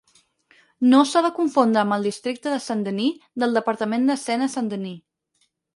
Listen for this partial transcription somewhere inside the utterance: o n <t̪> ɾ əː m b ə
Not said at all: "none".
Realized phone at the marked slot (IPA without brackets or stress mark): d̪